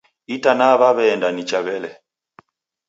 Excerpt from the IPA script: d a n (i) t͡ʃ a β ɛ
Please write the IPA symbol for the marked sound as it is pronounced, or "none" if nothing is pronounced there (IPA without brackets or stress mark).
i